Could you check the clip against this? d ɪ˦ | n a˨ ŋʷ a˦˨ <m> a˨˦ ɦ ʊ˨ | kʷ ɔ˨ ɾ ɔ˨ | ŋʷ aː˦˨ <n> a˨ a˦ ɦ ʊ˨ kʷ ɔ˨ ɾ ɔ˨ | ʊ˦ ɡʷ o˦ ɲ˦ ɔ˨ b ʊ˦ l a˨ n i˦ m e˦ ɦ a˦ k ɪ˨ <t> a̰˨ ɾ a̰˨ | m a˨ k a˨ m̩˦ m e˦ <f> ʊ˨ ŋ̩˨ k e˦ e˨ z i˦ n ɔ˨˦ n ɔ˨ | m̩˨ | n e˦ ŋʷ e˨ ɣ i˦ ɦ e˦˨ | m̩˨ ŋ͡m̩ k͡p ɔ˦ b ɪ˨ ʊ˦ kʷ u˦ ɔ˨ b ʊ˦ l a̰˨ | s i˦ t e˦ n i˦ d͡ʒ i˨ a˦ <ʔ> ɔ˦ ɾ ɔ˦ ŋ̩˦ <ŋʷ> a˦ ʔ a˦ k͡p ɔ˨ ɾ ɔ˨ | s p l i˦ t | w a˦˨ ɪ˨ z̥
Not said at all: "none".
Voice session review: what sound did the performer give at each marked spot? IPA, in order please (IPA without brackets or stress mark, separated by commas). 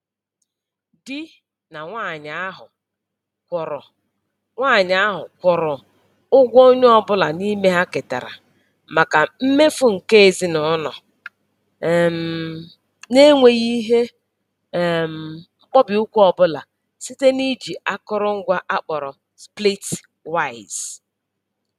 ɲ, ɲ, t, f, k, ɡʷ